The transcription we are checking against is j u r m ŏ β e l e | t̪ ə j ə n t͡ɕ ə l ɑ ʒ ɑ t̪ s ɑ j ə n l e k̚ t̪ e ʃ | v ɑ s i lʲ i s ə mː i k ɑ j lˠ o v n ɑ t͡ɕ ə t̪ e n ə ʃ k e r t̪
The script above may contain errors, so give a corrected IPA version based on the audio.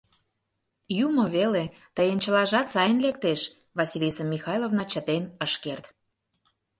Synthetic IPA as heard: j u m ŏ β e l e | t̪ ə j ə n t͡ɕ ə l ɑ ʒ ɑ t̪ s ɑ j ə n l e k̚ t̪ e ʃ | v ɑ s i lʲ i s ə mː i x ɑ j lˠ o v n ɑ t͡ɕ ə t̪ e n ə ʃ k e r t̪